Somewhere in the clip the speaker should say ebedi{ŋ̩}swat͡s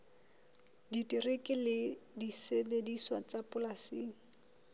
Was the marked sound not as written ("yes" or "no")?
yes